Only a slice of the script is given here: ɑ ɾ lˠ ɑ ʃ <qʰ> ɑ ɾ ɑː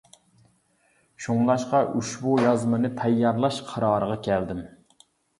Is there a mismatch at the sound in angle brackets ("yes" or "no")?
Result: no